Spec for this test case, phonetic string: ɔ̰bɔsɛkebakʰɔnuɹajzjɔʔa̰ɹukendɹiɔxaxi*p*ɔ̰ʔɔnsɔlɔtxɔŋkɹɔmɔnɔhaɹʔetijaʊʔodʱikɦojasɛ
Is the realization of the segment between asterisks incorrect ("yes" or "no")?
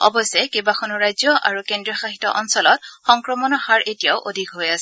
yes